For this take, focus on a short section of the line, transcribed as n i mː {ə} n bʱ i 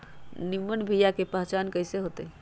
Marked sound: correct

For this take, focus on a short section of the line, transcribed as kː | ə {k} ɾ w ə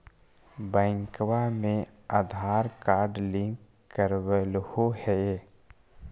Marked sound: incorrect: none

